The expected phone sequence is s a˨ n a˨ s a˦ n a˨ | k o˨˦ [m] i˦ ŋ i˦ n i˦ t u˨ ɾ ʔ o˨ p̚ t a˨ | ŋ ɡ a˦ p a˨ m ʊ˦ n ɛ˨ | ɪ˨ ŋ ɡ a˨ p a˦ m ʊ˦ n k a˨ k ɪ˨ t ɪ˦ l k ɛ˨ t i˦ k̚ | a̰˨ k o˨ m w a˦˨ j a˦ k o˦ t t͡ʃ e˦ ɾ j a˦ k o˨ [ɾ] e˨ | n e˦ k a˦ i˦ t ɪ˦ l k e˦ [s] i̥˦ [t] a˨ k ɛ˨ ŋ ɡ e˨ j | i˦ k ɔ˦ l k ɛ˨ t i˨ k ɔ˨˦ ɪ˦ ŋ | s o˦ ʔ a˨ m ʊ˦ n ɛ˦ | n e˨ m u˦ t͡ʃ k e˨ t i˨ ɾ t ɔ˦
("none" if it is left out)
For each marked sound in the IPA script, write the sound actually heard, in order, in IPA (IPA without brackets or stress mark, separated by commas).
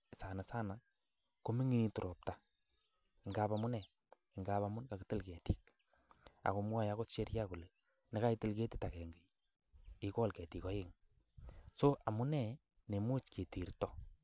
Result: m, l, t, t